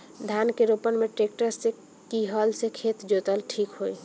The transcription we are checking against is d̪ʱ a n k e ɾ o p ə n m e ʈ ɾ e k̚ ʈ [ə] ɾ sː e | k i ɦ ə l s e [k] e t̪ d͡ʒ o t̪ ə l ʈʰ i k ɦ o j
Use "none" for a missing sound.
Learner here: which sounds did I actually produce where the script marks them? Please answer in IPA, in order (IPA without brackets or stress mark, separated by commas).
ə, kʰ